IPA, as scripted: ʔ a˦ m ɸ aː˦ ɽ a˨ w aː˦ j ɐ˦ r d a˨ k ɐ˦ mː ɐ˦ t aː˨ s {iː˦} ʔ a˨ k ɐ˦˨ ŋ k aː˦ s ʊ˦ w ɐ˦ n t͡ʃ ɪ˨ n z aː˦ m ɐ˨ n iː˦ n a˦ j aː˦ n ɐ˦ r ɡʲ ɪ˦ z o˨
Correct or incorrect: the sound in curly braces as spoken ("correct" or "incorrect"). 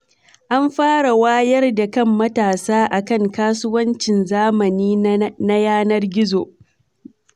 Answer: incorrect